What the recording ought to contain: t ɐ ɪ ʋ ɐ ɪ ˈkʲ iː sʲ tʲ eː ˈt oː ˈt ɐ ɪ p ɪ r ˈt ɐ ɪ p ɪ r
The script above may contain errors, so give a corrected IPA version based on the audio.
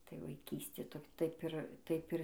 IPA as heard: t ɐ ɪ ʋ ɐ ɪ ˈkʲ iː sʲ tʲ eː ˈt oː ˈt ɐ ɪ p ɪ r ˈt ɐ ɪ p ɪ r